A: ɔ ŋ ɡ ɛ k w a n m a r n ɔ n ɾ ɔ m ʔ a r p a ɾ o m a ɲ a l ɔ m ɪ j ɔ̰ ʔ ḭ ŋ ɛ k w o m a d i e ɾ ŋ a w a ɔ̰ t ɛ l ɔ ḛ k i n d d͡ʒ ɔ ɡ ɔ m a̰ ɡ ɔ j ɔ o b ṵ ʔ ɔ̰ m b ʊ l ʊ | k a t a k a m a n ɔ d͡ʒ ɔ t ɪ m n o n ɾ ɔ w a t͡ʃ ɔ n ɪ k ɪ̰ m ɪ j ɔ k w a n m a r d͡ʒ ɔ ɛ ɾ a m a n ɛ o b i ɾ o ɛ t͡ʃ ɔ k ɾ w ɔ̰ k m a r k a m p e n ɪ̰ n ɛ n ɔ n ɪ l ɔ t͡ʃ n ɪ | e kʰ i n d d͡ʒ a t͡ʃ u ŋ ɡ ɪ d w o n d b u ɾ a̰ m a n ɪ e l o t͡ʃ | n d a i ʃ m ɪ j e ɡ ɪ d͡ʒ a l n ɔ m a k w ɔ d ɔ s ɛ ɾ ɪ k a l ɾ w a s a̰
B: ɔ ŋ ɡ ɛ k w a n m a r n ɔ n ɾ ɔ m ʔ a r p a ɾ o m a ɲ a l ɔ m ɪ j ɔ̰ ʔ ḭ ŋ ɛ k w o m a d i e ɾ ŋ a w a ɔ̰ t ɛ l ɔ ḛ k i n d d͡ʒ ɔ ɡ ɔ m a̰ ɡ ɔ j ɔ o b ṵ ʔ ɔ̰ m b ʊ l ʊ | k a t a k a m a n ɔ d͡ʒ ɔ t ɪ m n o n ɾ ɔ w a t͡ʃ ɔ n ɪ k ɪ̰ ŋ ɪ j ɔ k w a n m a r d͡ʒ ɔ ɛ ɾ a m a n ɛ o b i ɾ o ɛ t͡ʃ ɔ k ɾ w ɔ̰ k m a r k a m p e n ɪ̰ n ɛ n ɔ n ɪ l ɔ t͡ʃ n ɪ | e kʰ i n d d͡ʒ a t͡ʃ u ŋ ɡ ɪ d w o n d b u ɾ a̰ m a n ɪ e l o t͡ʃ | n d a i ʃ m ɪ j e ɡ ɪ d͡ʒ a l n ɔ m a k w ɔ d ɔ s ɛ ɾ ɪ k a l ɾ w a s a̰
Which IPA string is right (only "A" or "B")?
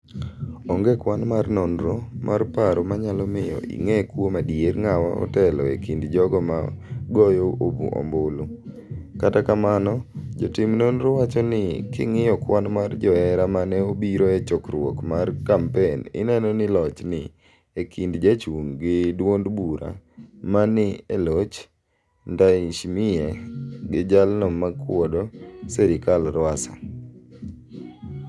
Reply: B